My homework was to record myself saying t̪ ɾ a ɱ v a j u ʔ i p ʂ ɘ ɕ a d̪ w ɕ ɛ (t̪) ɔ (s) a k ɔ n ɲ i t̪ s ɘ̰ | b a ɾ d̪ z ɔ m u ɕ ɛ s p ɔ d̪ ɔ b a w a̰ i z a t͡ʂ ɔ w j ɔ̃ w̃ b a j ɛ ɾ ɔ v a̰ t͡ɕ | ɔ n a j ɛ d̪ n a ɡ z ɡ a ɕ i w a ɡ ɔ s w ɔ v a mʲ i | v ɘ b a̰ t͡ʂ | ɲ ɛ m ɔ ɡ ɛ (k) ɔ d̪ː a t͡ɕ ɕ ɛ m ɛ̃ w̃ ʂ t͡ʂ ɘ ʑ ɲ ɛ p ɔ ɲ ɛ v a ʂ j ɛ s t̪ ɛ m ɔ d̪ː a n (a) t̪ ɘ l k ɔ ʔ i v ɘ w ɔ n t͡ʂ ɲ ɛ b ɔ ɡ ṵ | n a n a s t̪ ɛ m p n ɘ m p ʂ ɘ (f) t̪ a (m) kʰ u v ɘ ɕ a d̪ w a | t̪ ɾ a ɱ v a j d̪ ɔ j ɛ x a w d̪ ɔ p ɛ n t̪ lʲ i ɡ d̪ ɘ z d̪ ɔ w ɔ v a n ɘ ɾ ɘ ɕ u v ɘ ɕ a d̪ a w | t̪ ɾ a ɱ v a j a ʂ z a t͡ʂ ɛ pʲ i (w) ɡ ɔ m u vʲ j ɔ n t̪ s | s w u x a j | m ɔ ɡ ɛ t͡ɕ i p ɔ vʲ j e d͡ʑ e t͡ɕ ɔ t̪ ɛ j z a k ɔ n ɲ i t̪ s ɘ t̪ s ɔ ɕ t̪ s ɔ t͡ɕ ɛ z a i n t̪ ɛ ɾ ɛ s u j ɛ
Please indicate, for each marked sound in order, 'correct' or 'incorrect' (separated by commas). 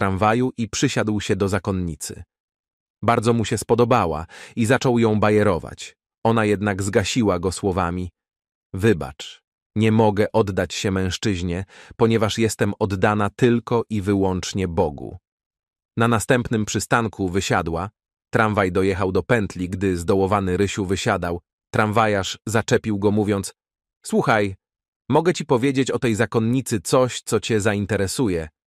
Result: incorrect, incorrect, incorrect, correct, incorrect, incorrect, correct